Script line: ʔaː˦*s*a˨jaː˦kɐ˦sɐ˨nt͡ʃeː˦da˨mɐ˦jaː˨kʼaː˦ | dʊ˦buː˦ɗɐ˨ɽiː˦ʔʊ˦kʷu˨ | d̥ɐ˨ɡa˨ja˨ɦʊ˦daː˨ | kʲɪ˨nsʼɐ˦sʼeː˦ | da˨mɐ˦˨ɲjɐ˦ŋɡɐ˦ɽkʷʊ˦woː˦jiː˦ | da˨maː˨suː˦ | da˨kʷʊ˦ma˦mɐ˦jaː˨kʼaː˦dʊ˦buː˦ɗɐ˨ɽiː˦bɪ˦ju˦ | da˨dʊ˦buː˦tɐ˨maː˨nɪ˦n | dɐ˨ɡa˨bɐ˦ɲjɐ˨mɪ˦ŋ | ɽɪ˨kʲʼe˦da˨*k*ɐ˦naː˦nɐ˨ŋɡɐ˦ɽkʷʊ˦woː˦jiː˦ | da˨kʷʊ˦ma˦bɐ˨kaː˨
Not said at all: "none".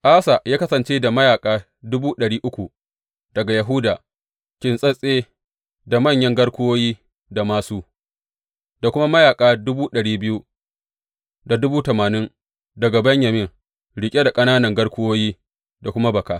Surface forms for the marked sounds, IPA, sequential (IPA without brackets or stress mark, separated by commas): s, kʼ